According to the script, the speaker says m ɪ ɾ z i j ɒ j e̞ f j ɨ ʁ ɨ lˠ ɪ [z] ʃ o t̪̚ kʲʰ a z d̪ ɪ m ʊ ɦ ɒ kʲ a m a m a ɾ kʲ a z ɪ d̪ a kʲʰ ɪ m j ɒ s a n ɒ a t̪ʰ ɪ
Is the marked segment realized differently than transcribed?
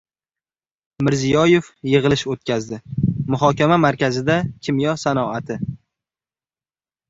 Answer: yes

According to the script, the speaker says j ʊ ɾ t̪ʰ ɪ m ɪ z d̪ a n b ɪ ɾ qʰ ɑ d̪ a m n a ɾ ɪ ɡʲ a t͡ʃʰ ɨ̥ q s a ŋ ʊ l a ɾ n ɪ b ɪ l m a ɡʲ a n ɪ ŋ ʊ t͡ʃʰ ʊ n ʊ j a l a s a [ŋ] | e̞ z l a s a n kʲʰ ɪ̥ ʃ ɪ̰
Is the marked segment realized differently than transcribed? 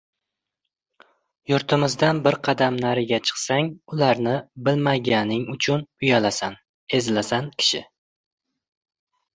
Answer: yes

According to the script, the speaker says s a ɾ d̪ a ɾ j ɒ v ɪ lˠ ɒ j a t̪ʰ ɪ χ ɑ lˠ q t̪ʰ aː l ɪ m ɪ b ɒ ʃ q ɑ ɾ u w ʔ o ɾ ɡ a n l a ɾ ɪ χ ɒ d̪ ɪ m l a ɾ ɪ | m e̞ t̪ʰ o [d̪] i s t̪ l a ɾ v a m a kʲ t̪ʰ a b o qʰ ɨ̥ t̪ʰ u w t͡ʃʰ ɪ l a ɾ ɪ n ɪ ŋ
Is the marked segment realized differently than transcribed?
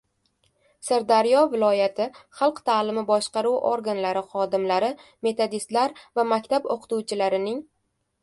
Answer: no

